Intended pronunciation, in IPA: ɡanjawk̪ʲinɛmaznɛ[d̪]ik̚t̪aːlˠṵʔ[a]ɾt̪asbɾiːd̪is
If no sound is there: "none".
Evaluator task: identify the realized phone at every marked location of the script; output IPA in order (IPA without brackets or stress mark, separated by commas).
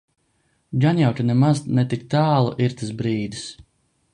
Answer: t̪, i